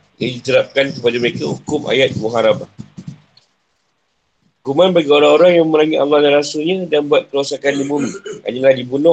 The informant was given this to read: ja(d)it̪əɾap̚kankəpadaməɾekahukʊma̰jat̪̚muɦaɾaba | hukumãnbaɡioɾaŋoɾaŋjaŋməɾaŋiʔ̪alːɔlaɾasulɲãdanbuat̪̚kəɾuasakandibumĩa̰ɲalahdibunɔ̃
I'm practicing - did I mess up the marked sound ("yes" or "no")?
no